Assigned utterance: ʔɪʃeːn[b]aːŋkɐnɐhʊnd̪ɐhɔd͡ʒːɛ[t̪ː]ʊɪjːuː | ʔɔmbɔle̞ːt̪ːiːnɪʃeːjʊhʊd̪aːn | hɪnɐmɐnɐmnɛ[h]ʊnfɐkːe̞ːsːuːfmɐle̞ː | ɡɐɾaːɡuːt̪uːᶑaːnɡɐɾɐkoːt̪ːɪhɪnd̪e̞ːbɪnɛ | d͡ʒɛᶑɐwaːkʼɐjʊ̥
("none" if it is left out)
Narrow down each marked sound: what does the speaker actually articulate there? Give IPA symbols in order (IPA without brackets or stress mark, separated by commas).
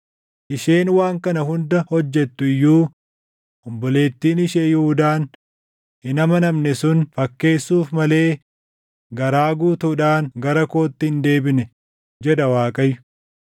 w, t̪ː, s